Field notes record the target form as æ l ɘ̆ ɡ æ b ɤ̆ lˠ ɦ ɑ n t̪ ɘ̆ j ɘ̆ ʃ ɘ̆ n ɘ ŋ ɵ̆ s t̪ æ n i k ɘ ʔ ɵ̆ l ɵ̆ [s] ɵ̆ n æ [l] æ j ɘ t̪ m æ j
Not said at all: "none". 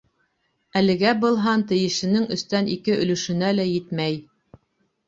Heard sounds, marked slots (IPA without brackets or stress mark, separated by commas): ʃ, l